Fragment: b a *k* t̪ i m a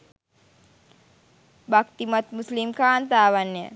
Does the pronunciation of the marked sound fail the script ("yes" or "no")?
no